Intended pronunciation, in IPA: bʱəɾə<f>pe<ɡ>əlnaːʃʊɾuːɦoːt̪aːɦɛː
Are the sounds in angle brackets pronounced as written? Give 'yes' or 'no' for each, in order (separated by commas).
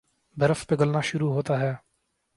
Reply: yes, yes